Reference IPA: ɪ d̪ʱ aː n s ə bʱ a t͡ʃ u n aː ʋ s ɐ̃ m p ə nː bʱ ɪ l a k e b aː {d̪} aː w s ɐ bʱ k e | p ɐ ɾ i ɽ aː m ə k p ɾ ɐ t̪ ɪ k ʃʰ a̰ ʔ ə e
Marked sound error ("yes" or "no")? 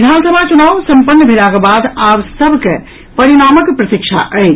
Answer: no